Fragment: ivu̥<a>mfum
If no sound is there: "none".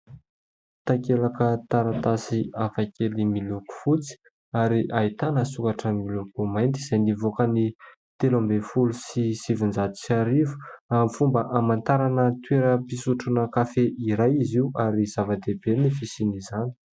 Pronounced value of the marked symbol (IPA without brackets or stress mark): a